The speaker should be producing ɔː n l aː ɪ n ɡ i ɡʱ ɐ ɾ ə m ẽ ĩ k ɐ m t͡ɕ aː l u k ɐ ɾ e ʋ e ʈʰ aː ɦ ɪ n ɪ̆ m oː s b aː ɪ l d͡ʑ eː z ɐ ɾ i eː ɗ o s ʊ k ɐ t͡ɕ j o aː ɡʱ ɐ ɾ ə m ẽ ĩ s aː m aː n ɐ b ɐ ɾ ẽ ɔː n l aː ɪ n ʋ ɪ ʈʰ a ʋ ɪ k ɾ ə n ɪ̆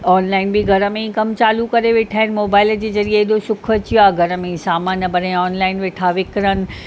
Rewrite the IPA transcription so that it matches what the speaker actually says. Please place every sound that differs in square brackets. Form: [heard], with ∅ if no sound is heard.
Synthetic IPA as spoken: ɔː n l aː ɪ n [b] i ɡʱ ɐ ɾ ə m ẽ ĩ k ɐ m t͡ɕ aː l u k ɐ ɾ e ʋ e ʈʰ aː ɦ ɪ n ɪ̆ m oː [∅] b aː ɪ l d͡ʑ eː z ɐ ɾ i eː ɗ o s ʊ [kʰ] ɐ t͡ɕ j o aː ɡʱ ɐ ɾ ə m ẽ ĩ s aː m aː n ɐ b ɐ ɾ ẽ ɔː n l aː ɪ n ʋ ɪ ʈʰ a ʋ ɪ k ɾ ə n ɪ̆